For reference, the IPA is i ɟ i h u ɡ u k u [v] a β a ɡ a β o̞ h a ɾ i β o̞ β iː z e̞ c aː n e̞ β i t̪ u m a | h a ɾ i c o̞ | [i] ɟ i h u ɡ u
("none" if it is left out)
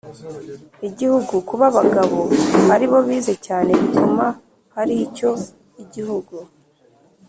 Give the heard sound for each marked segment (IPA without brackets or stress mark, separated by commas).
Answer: β, i